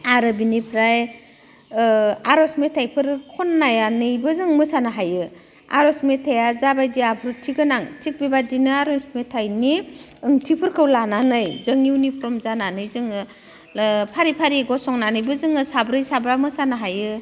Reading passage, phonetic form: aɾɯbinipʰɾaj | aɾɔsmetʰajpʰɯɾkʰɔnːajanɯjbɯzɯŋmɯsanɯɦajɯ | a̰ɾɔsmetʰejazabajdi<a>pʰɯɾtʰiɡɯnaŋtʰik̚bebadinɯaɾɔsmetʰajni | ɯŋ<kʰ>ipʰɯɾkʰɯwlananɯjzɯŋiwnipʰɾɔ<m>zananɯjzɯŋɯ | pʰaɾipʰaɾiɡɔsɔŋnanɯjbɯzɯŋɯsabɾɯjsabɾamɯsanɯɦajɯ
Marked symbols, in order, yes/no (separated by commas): yes, no, yes